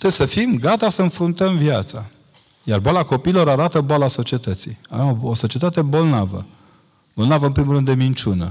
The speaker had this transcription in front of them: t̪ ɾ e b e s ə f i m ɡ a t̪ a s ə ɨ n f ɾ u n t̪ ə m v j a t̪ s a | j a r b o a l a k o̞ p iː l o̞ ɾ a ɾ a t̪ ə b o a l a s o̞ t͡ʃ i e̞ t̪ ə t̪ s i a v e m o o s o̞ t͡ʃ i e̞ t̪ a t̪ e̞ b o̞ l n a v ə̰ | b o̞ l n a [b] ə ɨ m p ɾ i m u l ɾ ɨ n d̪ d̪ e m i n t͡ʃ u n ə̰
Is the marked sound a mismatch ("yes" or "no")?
yes